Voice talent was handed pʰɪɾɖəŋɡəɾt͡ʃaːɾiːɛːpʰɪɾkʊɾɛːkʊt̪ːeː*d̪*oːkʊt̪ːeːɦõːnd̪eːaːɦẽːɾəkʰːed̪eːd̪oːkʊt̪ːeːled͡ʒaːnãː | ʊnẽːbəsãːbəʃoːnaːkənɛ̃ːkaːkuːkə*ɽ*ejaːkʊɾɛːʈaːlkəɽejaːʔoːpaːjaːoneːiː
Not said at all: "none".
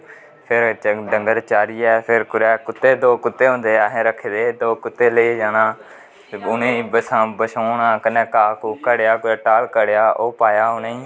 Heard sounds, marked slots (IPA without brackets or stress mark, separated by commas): d̪, ɽ